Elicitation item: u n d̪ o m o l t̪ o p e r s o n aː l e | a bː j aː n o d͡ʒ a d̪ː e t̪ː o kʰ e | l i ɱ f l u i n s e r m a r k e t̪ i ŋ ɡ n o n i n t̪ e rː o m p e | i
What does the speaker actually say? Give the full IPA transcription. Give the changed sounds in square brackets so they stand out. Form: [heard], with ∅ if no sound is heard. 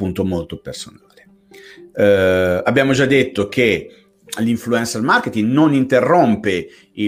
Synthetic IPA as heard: u n [t̪] o m o l t̪ o p e r s o n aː l e | a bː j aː [m] o d͡ʒ a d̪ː e t̪ː o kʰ e | l i ɱ f l u [ɛ] n s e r m a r k e t̪ i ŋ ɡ n o n i n t̪ e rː o m p e | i